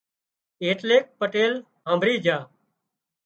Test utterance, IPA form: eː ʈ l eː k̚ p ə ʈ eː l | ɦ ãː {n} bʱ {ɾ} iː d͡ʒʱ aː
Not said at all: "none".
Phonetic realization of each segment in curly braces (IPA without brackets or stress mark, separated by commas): m, ɾ